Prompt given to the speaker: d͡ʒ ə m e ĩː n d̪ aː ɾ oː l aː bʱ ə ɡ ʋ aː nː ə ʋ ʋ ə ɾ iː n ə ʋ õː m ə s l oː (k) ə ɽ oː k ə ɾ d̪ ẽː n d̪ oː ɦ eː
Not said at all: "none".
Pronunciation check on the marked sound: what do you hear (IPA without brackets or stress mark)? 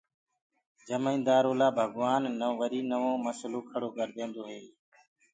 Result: kʰ